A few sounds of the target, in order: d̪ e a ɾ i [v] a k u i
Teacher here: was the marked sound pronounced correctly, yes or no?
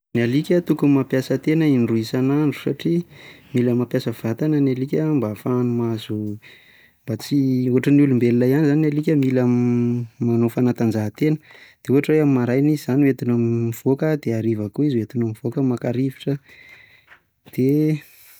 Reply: yes